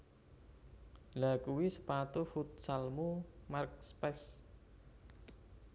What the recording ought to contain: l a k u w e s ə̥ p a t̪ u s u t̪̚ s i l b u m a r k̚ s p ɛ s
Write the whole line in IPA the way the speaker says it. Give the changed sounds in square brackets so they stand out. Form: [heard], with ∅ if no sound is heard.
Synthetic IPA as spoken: l a k u w [i] s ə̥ p a t̪ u [f] u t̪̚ s [a] l [m] u m a r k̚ s p ɛ s